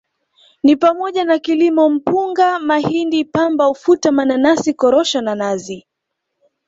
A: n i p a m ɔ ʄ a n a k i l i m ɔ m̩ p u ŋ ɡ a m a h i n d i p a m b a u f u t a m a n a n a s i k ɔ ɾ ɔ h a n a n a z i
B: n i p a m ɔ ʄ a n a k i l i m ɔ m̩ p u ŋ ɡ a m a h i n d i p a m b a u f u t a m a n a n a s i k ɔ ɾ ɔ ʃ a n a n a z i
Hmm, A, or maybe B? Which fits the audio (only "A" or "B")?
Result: B